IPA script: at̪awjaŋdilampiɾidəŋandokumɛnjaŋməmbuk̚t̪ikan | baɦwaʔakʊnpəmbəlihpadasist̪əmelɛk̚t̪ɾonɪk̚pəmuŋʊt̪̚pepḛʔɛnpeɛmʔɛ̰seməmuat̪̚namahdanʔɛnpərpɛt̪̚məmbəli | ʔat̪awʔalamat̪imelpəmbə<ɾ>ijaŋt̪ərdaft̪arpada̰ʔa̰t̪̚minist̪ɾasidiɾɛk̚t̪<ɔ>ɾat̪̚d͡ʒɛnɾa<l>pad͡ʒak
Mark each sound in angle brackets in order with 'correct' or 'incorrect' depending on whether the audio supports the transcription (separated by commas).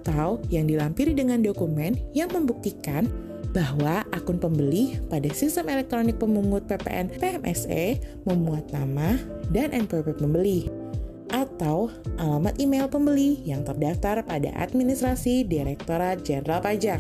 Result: incorrect, incorrect, correct